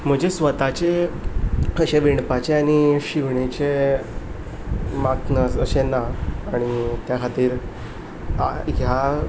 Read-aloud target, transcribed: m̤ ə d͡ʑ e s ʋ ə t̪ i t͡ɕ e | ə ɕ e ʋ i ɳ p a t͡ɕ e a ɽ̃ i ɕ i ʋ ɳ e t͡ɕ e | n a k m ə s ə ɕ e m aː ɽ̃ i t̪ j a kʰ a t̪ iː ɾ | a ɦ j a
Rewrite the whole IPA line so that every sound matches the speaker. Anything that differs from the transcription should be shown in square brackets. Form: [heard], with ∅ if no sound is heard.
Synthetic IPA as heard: m̤ ə d͡ʑ e s ʋ ə t̪ [a] t͡ɕ e | ə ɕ e ʋ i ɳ p a t͡ɕ e a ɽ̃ i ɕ i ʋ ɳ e t͡ɕ e | [m] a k [n] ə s ə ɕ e [n] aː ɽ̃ i t̪ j a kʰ a t̪ iː ɾ | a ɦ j a